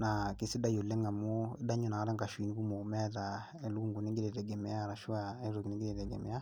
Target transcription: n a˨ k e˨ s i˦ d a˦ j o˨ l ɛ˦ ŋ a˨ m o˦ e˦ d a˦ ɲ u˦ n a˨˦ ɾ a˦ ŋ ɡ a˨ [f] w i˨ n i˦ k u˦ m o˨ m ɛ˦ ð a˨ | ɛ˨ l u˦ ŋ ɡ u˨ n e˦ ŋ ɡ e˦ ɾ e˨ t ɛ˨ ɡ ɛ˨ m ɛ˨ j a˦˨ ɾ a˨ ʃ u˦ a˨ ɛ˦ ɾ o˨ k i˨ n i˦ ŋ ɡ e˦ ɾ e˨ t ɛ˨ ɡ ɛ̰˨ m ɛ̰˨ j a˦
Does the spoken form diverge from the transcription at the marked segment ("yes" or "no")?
yes